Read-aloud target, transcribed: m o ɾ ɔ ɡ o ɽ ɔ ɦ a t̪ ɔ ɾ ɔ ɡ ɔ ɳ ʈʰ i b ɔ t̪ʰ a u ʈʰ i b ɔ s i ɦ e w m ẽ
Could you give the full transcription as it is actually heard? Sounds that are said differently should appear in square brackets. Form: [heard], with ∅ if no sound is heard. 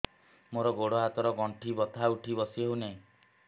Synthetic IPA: m o ɾ ɔ ɡ o ɽ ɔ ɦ a t̪ ɔ ɾ ɔ ɡ ɔ ɳ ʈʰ i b ɔ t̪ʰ a u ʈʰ i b ɔ s i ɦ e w [n] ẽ